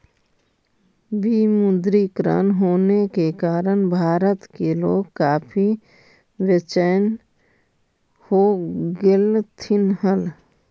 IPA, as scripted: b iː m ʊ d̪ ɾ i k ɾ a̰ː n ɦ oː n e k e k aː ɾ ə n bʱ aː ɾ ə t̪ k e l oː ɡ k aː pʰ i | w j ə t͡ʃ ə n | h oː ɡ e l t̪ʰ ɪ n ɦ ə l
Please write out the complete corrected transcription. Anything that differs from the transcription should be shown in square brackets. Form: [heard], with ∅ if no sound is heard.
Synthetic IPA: b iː m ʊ d̪ ɾ i k ɾ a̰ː n ɦ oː n e k e k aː ɾ ə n bʱ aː ɾ ə t̪ k e l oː ɡ k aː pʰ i | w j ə t͡ʃ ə n | h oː ɡ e l t̪ʰ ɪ n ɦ ə l